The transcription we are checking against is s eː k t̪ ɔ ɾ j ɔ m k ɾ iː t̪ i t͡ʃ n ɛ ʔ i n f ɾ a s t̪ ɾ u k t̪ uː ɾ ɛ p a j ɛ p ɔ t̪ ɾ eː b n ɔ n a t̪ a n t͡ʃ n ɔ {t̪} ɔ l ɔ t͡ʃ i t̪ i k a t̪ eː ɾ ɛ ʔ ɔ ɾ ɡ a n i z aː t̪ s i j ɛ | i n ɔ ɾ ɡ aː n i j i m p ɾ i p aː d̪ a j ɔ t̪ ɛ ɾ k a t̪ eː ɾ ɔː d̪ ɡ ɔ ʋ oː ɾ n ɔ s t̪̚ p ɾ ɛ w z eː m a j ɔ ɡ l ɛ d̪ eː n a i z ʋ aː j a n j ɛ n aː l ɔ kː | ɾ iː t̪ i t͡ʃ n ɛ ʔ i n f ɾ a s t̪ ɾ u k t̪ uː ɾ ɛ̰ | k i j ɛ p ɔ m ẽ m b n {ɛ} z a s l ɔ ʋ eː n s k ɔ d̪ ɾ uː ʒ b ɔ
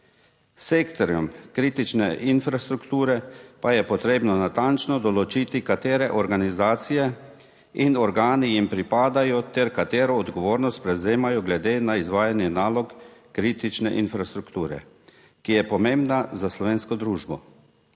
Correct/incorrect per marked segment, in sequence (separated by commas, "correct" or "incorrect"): incorrect, incorrect